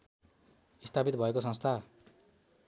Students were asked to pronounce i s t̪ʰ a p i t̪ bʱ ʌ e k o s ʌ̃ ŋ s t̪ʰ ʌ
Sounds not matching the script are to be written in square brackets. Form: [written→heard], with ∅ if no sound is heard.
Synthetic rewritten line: i s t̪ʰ a p i t̪ bʱ ʌ e k o s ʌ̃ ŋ s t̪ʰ [ʌ→a]